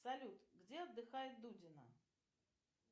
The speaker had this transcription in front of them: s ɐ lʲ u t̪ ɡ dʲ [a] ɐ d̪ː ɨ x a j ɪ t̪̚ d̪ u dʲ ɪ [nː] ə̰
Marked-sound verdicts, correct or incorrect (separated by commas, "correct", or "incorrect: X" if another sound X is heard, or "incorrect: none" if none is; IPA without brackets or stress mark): incorrect: e, incorrect: n